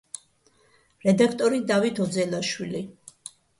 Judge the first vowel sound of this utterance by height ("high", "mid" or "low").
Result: mid